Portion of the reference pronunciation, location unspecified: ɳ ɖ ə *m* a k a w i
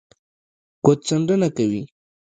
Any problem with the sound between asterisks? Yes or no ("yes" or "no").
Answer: yes